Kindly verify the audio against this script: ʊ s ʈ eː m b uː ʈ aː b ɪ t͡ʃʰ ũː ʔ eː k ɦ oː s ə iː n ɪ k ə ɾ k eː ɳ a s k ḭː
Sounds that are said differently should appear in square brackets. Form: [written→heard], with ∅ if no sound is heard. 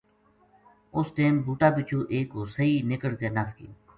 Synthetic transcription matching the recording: ʊ s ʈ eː m b uː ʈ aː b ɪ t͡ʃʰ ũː ʔ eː k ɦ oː s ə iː n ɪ k ə [ɾ→ɽ] k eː [ɳ→n] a s k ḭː